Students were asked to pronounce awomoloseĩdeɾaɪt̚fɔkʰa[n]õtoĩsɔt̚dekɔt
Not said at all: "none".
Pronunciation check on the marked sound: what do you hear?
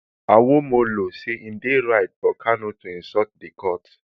n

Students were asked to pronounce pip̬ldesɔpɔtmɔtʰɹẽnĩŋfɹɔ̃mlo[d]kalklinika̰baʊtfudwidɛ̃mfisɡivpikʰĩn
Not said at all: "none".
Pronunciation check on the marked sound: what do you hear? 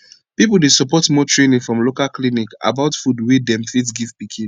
none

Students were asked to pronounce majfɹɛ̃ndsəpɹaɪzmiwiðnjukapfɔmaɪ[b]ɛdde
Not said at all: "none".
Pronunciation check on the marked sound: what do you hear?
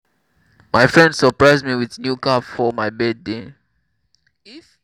b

